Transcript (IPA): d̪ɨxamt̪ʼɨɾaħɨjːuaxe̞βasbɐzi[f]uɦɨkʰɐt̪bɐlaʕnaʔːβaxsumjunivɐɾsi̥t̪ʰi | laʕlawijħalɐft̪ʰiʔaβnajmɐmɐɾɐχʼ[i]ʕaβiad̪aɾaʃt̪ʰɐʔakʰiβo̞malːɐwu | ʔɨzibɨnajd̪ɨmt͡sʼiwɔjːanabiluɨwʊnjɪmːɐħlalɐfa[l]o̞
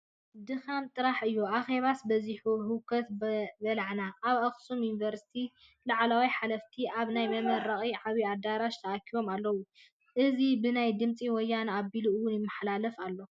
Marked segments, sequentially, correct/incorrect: incorrect: ħ, correct, incorrect: lː

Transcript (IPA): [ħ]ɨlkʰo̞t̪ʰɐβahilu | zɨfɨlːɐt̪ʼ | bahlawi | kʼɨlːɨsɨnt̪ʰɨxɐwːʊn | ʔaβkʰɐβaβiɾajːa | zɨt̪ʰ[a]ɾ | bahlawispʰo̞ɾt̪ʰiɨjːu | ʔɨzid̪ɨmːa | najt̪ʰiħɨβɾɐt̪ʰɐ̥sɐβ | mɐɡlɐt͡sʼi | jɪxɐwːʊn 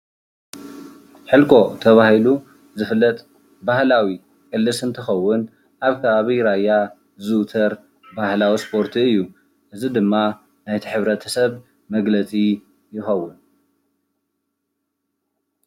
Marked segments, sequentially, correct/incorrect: correct, incorrect: ɐ

